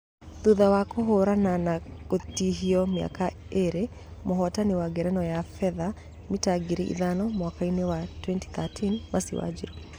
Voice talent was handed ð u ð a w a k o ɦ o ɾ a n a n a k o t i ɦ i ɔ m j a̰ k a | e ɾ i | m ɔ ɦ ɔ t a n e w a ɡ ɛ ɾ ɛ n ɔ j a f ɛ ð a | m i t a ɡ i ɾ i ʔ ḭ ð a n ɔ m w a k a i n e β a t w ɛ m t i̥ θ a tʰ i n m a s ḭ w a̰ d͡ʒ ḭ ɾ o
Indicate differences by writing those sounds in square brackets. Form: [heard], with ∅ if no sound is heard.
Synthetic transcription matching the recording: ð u ð a w a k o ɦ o ɾ a n a n a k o t i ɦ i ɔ m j a̰ k a | e ɾ [e] | m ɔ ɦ ɔ t a n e w a ɡ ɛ ɾ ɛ n ɔ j a f ɛ ð a | m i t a ɡ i ɾ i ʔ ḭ ð a n ɔ m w a k a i n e [w] a t w ɛ [n] t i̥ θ a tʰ i n m a s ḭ w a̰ d͡ʒ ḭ ɾ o